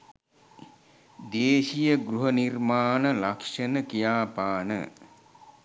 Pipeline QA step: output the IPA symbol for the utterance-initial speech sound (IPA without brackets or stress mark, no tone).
d̪